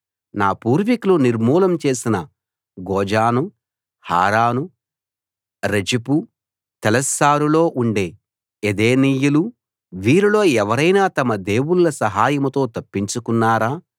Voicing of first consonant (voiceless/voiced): voiced